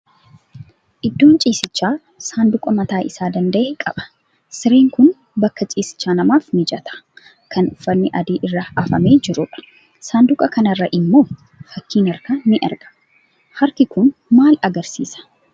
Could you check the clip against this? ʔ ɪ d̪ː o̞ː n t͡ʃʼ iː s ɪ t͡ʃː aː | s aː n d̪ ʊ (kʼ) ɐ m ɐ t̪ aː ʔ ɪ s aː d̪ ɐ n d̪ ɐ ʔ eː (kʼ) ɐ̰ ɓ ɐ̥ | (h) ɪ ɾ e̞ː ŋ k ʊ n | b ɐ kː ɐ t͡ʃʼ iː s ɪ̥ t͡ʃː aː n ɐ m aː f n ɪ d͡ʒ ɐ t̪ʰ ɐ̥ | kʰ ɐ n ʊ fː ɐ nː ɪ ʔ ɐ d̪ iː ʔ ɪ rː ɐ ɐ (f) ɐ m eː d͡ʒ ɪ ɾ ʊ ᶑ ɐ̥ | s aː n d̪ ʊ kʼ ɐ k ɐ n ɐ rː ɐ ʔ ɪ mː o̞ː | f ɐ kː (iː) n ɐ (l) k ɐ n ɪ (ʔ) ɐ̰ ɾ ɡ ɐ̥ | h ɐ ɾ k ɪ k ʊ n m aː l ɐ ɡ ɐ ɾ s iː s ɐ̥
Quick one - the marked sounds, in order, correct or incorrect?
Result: correct, correct, incorrect, correct, correct, incorrect, correct

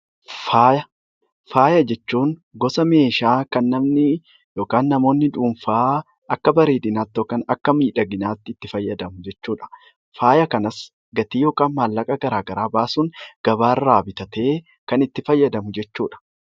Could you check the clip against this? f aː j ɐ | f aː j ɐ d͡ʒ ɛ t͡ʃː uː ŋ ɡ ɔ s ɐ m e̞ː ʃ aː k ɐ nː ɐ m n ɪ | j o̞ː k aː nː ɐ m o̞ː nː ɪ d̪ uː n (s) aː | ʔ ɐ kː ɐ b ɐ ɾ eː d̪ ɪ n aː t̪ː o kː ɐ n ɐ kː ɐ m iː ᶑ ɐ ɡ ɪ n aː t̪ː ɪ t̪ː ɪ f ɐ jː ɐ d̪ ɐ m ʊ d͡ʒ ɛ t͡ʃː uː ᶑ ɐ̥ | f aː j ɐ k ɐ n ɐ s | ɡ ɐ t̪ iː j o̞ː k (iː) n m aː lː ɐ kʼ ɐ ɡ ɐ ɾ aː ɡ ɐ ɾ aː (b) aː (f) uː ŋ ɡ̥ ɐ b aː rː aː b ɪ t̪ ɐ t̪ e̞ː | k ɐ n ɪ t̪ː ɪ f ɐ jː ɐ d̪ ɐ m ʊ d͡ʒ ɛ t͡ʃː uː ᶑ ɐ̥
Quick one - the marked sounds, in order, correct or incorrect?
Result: incorrect, incorrect, correct, incorrect

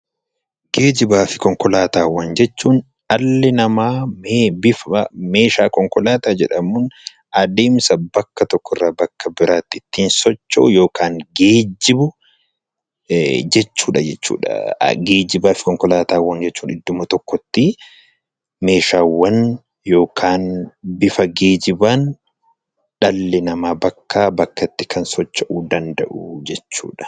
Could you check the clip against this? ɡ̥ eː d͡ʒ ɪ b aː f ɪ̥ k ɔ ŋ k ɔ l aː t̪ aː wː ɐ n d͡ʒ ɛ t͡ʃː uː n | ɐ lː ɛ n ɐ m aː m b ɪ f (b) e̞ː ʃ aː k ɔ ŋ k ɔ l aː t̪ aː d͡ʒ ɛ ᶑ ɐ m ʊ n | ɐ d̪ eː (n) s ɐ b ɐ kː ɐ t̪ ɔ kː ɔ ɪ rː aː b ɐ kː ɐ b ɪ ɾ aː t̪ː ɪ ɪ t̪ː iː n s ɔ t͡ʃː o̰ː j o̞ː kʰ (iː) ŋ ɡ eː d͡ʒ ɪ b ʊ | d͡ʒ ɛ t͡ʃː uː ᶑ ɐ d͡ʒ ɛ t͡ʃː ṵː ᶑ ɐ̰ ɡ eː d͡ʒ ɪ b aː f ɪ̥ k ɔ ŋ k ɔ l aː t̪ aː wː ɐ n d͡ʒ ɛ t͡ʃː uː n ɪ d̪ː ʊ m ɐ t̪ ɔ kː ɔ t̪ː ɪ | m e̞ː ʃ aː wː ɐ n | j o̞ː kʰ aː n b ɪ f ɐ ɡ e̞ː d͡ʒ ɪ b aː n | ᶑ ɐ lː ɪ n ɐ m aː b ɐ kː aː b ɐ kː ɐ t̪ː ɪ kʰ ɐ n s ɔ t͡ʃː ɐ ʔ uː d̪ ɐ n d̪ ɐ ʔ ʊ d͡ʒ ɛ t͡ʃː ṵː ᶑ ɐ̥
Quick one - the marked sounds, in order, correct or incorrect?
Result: incorrect, incorrect, incorrect

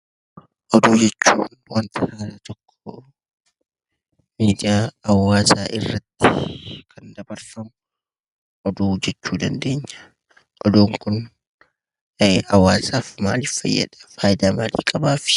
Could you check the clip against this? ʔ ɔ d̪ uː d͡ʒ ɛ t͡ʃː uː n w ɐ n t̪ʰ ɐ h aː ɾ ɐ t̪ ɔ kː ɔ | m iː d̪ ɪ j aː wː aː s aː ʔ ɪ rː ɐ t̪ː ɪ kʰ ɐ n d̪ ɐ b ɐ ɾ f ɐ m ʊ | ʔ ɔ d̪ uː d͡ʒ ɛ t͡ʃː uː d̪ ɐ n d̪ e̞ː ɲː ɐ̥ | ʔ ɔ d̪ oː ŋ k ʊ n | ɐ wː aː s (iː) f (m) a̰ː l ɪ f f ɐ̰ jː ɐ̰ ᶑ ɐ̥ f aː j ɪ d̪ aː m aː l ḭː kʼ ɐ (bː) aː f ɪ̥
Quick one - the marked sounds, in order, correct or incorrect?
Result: incorrect, correct, incorrect

